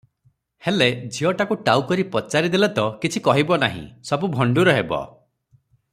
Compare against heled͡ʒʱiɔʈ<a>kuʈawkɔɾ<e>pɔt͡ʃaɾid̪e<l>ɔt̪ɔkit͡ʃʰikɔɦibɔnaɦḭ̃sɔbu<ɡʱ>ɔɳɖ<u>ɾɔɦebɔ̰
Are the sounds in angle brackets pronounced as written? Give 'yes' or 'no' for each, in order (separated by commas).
yes, no, yes, no, yes